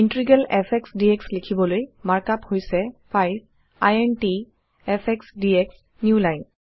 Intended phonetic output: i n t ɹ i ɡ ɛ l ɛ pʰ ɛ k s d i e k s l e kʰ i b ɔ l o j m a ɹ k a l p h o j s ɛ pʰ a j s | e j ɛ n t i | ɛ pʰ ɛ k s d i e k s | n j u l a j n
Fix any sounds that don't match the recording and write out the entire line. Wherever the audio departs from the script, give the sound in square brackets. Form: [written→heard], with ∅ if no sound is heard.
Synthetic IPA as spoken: i n t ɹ i ɡ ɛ l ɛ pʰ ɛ k s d i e k s l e kʰ i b ɔ l o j m a ɹ k a [l→∅] p h o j s ɛ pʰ a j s | [e→a] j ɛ n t i | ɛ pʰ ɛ k s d i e k s | n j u l a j n